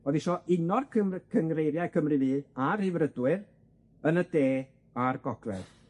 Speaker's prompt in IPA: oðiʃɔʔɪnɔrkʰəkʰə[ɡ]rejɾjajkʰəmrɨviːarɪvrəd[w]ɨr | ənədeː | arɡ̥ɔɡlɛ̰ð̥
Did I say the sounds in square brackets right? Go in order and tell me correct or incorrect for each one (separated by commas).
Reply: incorrect, correct